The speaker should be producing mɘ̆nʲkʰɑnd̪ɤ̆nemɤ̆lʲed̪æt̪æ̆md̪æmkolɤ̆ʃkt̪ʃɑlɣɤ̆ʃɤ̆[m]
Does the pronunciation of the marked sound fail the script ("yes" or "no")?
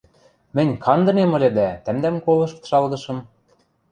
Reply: no